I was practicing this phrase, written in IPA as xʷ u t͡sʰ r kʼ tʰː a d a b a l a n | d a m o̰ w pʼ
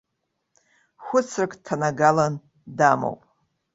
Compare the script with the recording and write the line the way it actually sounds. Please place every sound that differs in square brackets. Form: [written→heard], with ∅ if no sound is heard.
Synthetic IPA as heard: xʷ [u→ʊ] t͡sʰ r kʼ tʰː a [d→n] a [b→ɡ] a l a n | d a m o̰ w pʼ